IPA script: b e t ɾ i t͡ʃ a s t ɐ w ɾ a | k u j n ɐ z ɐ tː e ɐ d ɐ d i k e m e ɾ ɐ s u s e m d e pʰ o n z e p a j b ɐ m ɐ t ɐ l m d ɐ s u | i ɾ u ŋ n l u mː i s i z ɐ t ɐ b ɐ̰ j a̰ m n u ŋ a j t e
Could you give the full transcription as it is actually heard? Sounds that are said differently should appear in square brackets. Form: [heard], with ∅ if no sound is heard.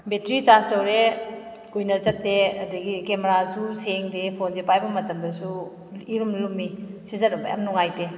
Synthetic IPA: b e t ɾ i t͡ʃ a s t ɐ w ɾ [e] | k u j n ɐ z ɐ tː e ɐ d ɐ [ɡ] i k e m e ɾ [a] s u s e [ŋ] d e pʰ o n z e p a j b ɐ m ɐ t ɐ [∅] m d ɐ s u | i ɾ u [m] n l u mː i s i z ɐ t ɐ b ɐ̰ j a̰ m n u ŋ a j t e